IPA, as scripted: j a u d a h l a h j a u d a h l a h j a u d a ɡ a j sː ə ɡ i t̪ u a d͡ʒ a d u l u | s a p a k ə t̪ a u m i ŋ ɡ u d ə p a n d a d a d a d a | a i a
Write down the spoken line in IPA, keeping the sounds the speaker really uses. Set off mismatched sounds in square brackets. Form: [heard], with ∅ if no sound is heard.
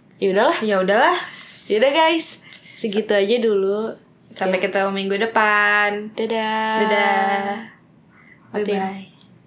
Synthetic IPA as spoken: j a u d a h l a h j a u d a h l a h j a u d a ɡ a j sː ə ɡ i t̪ u a d͡ʒ a d u l u | s a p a k ə t̪ a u m i ŋ ɡ u d ə p a n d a d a d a d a | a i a